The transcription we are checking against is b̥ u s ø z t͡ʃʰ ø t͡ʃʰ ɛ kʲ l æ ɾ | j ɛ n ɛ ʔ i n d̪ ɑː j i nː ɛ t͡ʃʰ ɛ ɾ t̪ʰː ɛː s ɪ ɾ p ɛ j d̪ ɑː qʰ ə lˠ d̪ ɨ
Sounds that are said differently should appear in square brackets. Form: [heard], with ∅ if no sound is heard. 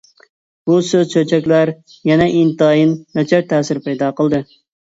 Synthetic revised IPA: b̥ u s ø z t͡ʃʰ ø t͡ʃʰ ɛ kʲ l æ ɾ | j ɛ n ɛ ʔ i n [t̪] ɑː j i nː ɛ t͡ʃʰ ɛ ɾ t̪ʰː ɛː s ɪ ɾ p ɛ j d̪ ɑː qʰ ə lˠ d̪ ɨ